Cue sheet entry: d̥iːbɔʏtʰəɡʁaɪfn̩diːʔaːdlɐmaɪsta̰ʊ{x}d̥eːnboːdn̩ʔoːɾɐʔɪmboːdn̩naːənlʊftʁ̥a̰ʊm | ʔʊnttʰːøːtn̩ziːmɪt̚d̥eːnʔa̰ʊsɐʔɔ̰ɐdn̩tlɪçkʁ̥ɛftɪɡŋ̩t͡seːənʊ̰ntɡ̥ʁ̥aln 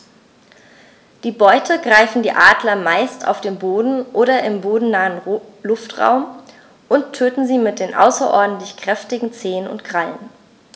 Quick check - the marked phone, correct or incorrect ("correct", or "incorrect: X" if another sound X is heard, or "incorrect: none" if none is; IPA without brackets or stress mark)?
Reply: incorrect: f